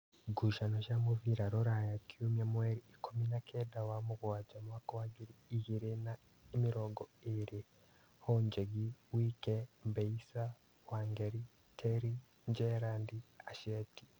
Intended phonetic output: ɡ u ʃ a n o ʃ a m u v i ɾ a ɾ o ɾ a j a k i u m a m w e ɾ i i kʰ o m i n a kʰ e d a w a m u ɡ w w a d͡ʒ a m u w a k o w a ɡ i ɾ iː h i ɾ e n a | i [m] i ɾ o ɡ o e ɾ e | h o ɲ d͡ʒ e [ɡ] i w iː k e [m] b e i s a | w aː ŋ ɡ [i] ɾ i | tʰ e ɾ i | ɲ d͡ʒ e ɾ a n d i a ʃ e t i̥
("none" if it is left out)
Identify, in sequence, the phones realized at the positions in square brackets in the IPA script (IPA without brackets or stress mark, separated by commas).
m, ɡ, m, e